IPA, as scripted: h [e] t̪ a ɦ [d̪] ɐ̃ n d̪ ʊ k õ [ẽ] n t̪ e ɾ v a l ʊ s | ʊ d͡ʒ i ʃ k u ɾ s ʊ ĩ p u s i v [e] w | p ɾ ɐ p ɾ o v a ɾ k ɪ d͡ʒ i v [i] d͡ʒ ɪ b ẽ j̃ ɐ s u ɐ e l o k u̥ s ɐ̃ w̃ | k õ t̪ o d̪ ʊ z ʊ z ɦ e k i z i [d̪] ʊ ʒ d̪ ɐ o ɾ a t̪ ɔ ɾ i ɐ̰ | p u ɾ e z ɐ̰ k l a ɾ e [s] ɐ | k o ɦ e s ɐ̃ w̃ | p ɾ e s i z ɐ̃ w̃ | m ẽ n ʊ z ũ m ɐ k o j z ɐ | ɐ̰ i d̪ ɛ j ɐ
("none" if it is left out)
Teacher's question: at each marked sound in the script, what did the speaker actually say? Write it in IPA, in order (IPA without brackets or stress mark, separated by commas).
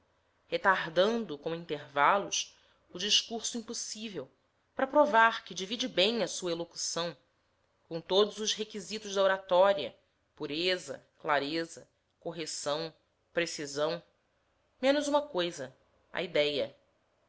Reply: e, d̪, ĩ, e, i, t̪, z